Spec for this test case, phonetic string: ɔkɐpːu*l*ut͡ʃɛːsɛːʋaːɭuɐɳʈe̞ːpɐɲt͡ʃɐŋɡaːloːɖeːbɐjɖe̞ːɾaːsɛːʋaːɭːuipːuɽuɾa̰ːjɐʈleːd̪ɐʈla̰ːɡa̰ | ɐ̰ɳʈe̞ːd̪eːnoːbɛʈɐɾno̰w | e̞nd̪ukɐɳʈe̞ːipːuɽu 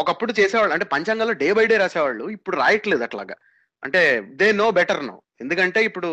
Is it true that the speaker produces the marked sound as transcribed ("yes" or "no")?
no